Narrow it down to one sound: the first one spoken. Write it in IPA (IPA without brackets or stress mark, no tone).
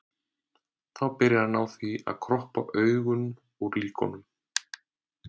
θ